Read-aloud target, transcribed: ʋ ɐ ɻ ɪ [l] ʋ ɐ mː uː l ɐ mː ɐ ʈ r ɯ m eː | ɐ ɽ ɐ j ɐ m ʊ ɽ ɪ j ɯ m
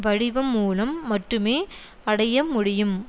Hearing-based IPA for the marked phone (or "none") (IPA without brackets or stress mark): none